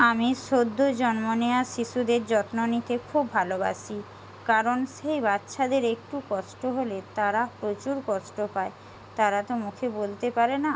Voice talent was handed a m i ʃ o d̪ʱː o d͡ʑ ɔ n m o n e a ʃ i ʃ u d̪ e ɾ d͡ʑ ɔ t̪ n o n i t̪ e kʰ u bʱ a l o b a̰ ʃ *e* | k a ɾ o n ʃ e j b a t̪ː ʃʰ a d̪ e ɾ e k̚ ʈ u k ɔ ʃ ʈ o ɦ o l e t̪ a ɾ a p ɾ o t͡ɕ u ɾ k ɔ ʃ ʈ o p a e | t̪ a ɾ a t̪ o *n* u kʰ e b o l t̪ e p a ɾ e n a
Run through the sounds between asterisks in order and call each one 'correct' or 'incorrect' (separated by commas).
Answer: incorrect, incorrect